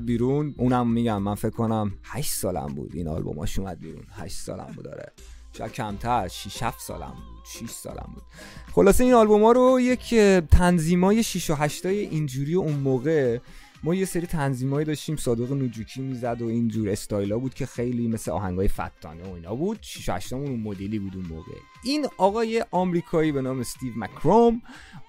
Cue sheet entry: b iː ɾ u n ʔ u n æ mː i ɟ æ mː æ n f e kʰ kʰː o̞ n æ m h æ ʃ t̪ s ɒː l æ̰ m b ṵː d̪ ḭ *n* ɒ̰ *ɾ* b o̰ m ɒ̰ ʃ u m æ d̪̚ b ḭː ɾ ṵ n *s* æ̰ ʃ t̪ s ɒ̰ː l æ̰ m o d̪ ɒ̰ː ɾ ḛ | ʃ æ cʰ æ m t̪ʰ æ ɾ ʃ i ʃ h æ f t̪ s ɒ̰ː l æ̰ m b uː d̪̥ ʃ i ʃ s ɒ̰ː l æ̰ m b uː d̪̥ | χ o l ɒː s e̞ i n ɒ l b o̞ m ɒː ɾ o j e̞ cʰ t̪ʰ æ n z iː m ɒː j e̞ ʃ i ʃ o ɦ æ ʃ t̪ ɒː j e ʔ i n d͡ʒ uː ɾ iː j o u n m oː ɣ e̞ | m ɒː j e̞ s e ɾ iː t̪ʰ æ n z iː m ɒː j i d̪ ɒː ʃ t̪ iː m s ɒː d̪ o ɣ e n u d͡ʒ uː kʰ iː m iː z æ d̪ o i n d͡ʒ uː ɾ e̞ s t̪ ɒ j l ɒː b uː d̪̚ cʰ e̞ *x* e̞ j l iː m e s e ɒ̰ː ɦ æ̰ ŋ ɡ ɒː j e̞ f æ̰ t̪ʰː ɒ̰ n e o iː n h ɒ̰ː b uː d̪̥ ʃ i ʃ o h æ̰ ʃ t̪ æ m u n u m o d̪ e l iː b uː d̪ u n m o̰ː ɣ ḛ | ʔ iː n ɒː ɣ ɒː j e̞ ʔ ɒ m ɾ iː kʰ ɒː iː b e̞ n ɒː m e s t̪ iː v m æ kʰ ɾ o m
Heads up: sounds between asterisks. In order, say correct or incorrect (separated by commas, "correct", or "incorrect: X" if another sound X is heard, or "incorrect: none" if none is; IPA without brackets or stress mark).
correct, incorrect: l, incorrect: h, correct